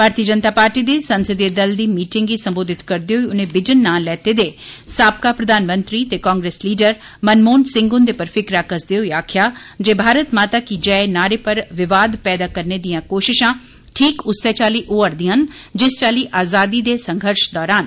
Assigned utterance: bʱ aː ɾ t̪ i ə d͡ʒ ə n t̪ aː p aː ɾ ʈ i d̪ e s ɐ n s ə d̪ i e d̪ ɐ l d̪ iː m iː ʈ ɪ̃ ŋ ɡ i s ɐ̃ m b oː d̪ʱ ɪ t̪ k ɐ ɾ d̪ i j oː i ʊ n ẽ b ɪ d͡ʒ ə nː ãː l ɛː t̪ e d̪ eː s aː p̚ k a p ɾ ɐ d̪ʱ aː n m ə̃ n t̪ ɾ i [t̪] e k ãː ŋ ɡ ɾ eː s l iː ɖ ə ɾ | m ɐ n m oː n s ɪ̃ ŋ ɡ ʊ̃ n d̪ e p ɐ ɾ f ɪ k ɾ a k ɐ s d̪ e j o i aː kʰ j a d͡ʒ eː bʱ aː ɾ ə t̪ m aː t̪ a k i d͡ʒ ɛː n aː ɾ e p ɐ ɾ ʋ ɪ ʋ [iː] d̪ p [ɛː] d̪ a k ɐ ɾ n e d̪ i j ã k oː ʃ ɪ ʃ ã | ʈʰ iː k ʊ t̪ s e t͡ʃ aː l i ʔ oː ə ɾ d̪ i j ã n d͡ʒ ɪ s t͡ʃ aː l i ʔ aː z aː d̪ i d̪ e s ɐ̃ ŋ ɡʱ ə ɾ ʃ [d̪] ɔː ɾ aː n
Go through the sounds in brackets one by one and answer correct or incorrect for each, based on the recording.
correct, incorrect, correct, correct

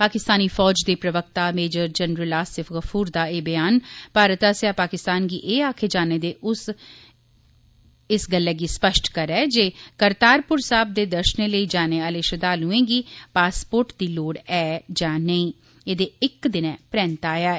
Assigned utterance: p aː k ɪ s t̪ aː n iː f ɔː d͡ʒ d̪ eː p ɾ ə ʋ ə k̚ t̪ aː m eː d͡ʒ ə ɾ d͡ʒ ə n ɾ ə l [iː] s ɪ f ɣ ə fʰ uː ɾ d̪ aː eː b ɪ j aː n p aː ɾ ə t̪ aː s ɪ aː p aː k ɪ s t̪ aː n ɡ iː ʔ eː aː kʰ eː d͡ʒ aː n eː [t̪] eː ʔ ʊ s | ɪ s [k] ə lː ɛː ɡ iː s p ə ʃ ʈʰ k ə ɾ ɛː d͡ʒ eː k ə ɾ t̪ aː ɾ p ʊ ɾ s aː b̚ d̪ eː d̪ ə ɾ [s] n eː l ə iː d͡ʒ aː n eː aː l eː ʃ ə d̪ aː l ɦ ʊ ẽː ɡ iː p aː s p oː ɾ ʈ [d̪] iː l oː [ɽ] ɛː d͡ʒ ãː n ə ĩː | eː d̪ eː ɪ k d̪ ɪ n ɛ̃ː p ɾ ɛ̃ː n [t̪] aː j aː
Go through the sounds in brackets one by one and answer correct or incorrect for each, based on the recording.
incorrect, incorrect, incorrect, incorrect, correct, correct, correct

